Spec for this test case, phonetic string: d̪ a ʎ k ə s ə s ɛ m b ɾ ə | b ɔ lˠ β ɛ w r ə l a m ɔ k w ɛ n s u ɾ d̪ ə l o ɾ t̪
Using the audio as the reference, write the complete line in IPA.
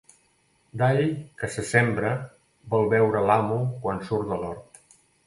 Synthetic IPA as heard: d̪ a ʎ k ə s ə s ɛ m b ɾ ə | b ɔ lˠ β ɛ w ɾ ə l a m u k w a n s u ɾ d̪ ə l ɔ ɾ t̪